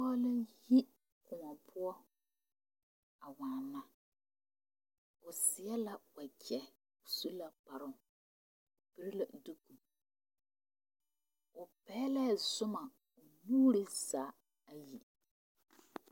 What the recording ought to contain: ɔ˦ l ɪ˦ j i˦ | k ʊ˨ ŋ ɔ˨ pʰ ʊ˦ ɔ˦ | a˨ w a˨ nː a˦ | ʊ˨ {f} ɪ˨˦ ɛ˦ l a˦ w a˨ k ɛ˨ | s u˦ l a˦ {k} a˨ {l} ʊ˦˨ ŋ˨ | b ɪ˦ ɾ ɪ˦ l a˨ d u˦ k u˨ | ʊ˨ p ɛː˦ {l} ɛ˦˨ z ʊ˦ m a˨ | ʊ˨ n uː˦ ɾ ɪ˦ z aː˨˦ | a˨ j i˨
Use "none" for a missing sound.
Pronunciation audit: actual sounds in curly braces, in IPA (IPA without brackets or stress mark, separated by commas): s, p, ɾ, l